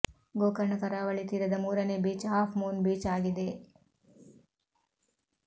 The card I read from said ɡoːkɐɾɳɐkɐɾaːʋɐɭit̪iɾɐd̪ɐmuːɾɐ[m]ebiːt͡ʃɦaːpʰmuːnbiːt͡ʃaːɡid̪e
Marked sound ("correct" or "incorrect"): incorrect